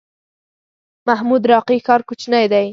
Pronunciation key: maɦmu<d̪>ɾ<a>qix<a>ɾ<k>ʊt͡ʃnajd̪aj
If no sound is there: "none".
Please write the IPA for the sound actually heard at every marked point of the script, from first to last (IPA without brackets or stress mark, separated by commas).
d̪, ɑ, ɑ, k